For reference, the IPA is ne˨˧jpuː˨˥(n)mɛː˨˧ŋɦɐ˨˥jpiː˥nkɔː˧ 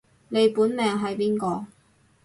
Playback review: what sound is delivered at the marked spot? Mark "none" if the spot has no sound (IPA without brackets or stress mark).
n